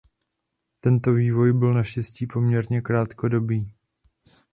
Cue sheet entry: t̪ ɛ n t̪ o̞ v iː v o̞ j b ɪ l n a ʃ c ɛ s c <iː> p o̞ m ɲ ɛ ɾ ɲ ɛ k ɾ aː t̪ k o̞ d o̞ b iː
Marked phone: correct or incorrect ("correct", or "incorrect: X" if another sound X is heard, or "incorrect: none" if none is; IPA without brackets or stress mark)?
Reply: correct